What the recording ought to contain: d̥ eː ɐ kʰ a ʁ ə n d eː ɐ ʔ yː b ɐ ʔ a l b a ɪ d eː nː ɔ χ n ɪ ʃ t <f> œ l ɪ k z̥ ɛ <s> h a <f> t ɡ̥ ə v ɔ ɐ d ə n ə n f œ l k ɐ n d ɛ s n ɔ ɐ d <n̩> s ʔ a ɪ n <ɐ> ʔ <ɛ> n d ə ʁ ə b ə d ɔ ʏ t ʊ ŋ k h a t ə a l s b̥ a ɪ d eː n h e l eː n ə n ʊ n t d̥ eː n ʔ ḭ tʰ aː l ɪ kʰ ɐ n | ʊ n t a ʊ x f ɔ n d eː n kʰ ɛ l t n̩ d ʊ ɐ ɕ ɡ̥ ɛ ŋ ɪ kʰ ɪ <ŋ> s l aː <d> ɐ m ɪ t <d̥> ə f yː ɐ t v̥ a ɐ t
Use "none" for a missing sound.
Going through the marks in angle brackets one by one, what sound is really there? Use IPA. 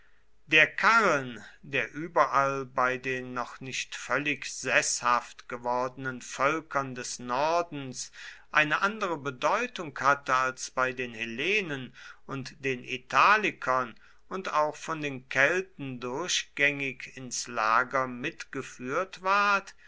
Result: f, s, f, n̩, ə, a, n, ɡ, ɡ̥

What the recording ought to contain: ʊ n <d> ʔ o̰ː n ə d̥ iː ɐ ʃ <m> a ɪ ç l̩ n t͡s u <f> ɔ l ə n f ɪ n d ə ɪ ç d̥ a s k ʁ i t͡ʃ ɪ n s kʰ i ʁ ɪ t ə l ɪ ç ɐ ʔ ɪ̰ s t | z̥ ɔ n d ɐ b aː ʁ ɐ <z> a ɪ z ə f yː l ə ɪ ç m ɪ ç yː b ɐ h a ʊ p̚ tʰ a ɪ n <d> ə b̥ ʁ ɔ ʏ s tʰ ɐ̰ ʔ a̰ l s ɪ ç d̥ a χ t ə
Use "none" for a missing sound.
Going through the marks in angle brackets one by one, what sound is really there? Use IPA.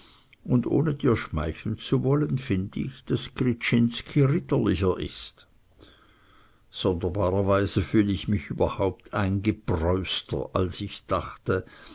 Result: d, m, v, v, ɡ

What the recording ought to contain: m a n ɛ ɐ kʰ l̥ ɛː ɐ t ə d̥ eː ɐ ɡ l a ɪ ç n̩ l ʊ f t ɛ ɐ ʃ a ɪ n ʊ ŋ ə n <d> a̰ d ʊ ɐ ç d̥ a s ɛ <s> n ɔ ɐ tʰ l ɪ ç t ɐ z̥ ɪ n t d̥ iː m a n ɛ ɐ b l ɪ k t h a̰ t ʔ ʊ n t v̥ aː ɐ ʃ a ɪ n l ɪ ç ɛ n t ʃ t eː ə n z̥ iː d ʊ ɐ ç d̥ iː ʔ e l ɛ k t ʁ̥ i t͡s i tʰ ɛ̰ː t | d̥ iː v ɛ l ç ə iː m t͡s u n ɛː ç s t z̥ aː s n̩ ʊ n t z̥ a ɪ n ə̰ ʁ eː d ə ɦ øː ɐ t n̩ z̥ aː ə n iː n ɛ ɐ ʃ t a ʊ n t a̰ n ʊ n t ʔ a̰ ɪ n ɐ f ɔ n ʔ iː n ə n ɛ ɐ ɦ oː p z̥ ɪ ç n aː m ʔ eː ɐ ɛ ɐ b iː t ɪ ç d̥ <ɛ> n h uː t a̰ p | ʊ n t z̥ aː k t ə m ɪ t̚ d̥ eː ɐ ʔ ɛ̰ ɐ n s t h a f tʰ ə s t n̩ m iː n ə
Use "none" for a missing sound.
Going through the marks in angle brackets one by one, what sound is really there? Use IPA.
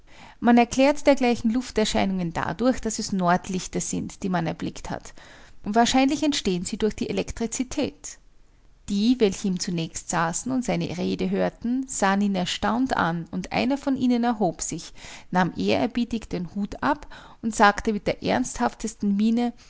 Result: d, s, e

